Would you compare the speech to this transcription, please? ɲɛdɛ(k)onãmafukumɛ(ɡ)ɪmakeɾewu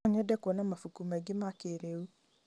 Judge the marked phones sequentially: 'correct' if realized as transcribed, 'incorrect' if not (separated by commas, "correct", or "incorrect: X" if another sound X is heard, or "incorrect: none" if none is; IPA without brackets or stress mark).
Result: correct, correct